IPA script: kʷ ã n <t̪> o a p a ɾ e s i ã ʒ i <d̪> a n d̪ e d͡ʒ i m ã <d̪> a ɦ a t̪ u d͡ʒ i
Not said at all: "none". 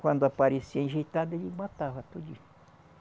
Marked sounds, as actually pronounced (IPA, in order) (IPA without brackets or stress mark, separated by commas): d̪, t̪, t̪